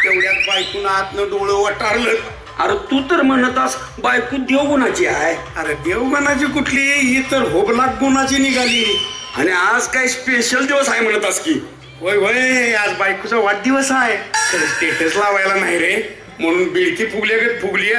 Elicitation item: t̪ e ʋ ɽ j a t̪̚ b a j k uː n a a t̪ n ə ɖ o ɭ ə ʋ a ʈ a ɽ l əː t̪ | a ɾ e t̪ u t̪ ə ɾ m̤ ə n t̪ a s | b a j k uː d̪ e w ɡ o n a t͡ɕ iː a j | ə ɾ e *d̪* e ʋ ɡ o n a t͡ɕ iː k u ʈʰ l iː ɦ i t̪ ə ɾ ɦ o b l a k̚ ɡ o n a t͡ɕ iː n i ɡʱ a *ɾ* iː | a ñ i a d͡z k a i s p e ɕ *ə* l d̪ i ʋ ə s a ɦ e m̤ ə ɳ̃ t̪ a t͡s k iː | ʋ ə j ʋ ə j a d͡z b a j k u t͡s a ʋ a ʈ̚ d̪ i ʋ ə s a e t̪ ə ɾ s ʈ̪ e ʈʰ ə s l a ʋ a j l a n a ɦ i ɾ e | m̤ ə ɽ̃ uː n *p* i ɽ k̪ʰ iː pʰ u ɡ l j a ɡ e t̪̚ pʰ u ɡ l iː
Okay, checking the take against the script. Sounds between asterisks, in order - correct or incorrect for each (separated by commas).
correct, incorrect, correct, incorrect